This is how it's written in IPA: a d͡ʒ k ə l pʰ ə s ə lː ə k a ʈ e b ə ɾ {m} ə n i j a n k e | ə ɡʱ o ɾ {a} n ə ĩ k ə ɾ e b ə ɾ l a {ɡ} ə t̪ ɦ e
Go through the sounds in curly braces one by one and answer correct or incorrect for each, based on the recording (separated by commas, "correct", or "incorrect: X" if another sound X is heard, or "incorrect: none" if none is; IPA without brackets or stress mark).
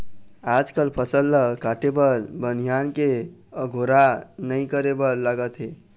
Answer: incorrect: b, correct, correct